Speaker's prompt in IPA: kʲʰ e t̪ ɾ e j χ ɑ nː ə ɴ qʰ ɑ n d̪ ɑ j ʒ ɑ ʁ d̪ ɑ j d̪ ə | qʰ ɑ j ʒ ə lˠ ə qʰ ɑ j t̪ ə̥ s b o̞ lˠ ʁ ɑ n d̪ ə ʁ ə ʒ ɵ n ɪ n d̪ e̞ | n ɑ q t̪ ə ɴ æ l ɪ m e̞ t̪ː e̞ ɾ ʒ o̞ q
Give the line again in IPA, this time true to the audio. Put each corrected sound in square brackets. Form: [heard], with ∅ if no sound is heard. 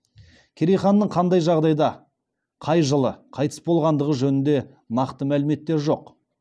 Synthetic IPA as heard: kʲʰ e [∅] ɾ e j χ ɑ nː ə ɴ qʰ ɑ n d̪ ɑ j ʒ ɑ ʁ d̪ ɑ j d̪ [ɑ] | qʰ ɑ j ʒ ə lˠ ə qʰ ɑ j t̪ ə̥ s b o̞ lˠ ʁ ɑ n d̪ ə ʁ ə ʒ ɵ n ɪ n d̪ e̞ | n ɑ q t̪ ə [m] æ l ɪ m e̞ t̪ː e̞ ɾ ʒ o̞ q